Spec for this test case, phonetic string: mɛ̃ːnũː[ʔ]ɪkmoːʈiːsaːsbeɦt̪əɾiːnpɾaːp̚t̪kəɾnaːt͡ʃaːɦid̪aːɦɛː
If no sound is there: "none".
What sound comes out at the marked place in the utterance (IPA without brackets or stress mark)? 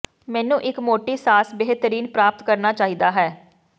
ʔ